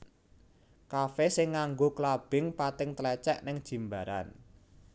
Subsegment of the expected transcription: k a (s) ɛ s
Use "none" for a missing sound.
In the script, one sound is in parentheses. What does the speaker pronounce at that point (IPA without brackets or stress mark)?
f